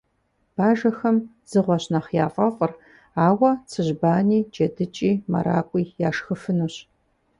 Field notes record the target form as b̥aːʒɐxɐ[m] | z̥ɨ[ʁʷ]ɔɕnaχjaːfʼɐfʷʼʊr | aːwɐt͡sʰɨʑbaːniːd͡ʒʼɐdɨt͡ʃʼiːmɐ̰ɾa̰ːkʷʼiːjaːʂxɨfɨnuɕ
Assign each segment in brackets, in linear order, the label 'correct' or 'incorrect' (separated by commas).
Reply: correct, correct